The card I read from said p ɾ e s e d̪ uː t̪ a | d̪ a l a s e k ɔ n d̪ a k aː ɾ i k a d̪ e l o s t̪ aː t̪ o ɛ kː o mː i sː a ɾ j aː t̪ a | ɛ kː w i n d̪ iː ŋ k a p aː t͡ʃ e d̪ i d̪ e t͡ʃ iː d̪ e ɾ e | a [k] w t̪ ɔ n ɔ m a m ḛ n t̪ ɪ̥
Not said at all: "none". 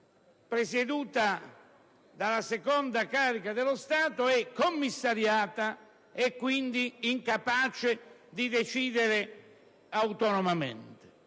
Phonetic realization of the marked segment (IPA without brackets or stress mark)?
none